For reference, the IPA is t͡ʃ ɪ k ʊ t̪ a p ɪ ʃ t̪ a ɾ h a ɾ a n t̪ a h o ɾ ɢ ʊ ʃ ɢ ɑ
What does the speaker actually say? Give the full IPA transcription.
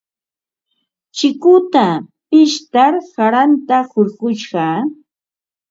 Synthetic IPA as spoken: t͡ʃ ɪ k ʊ t̪ a p ɪ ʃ t̪ a ɾ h a ɾ a n t̪ a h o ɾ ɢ ʊ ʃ ɢ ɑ